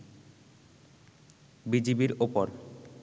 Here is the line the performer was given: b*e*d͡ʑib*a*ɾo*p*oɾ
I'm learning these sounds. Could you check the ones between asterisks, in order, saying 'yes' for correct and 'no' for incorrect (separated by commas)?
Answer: no, no, yes